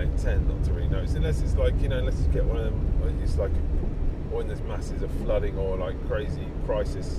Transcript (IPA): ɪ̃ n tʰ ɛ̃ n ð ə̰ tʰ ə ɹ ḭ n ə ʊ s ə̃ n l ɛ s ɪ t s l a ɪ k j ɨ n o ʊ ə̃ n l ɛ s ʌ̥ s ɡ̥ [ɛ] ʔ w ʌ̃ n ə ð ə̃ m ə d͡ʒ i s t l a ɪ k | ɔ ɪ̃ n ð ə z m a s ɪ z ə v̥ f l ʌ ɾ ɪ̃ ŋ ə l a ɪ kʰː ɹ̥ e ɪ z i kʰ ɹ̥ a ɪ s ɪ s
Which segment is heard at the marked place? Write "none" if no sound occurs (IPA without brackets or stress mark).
ɛ